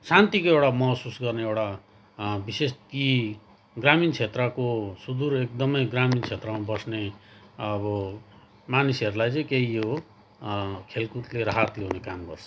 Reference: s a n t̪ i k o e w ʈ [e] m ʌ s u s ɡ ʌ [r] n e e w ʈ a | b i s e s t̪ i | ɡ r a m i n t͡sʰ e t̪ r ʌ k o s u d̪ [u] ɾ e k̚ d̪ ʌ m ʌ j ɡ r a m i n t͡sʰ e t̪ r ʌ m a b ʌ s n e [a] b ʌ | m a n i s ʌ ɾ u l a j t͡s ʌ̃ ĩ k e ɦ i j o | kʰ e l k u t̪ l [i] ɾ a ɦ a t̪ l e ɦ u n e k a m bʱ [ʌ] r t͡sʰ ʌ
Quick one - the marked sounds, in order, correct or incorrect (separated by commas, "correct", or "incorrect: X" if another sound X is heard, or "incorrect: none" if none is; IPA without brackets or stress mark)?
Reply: incorrect: a, correct, correct, incorrect: ʌ, incorrect: e, correct